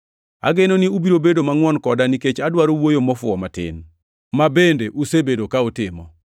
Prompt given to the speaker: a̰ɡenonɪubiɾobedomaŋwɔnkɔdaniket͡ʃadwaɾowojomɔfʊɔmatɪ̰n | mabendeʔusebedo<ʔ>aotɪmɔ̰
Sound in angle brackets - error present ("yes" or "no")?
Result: yes